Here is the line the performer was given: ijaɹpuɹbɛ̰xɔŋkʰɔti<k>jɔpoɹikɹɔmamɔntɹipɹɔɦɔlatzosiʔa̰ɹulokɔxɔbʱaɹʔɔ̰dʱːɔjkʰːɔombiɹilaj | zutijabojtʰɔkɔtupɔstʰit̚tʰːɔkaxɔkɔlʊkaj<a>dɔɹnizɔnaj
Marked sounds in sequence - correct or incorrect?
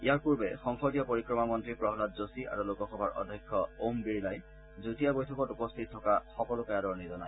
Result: incorrect, correct

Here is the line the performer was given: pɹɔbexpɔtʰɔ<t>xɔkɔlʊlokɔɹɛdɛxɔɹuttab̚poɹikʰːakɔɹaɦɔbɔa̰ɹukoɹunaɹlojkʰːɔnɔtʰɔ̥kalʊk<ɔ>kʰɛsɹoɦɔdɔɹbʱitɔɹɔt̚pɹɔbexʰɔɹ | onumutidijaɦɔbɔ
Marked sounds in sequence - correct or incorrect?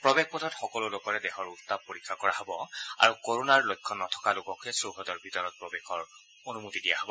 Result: correct, correct

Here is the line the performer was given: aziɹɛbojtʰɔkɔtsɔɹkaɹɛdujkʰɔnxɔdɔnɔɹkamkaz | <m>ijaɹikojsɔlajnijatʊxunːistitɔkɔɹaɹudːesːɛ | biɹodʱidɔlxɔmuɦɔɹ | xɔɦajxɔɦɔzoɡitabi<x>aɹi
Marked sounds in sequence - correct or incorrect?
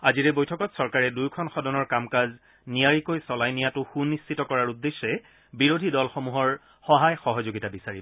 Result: incorrect, incorrect

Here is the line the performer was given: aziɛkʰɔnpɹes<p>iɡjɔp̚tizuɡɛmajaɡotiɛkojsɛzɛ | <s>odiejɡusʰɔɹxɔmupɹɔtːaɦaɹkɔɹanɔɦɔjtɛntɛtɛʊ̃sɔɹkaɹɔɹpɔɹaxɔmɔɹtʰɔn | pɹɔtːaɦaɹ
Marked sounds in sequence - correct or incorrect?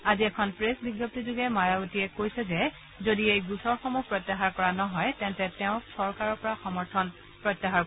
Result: incorrect, incorrect

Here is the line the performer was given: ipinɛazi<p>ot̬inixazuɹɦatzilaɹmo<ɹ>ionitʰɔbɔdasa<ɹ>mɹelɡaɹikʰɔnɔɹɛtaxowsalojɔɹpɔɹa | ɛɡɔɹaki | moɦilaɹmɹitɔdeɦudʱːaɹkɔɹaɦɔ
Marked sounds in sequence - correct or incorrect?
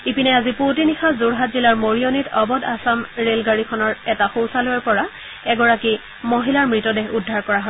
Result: correct, correct, incorrect

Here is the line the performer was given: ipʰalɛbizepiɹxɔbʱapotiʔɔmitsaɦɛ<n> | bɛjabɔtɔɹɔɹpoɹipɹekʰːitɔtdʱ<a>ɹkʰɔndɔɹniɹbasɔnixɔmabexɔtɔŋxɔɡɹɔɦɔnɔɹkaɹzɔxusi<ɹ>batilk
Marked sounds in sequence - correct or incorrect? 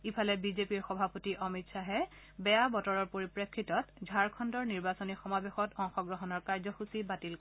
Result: incorrect, correct, incorrect

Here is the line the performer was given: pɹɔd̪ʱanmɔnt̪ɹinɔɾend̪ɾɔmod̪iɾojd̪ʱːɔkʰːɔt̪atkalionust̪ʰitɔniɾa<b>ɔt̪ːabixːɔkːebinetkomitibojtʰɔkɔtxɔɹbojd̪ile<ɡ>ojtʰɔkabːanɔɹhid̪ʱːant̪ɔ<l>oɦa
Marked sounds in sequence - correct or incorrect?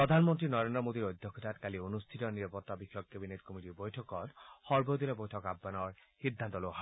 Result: incorrect, incorrect, correct

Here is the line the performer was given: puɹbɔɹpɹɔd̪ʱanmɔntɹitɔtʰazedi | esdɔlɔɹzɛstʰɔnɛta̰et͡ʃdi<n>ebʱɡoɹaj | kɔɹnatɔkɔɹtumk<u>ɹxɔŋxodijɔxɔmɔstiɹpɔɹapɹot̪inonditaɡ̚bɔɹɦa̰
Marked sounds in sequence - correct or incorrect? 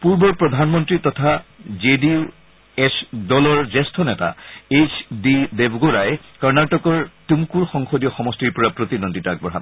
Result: incorrect, correct

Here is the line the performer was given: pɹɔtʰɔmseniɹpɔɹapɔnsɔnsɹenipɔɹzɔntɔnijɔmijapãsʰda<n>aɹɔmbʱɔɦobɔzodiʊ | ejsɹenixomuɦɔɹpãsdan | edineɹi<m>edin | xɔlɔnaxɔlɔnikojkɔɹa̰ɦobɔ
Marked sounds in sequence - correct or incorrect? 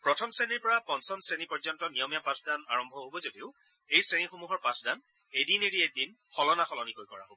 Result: correct, incorrect

